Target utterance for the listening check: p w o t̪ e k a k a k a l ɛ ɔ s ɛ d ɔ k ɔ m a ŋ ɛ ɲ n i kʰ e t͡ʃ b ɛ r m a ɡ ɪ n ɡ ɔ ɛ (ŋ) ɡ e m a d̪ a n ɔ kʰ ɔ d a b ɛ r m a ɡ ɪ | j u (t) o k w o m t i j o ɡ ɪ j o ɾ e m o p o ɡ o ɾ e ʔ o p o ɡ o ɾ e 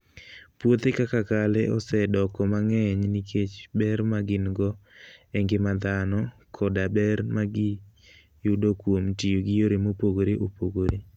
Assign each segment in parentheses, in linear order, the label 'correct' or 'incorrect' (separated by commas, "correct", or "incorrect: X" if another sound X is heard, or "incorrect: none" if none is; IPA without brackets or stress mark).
correct, incorrect: d